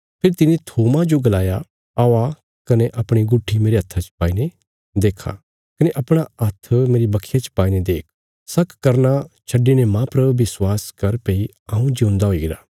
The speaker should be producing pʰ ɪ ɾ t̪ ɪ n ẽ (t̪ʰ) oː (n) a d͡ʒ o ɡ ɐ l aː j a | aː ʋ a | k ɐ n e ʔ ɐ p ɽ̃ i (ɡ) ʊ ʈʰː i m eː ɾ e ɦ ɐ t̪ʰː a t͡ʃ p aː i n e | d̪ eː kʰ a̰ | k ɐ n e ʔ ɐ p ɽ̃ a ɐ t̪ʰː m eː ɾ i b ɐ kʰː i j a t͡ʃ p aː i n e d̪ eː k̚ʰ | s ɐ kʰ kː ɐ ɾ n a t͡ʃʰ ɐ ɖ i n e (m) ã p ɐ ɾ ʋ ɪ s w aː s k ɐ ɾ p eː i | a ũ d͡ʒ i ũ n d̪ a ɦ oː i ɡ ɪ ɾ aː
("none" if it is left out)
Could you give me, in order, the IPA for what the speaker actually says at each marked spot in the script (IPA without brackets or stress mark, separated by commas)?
t̪ʰ, m, ɡ, m